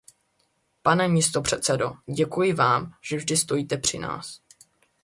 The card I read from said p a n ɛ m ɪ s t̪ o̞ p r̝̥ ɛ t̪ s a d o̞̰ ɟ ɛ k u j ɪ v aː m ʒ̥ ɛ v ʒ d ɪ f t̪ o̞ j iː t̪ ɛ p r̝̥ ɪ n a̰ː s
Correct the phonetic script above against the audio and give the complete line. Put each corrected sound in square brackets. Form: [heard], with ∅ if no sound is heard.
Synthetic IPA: p a n ɛ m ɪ s t̪ o̞ p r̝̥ ɛ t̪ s [ɛ] d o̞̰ ɟ ɛ k u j ɪ v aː m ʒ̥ ɛ v ʒ d ɪ [s] t̪ o̞ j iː t̪ ɛ p r̝̥ ɪ n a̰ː s